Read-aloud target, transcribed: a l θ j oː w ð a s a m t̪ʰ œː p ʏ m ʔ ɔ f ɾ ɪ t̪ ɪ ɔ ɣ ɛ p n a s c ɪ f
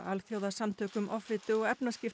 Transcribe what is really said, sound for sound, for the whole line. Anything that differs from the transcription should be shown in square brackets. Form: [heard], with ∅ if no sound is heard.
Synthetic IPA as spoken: a l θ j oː w ð a s a m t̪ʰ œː [k] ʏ m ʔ ɔ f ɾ ɪ t̪ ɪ ɔ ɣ ɛ p n a s c ɪ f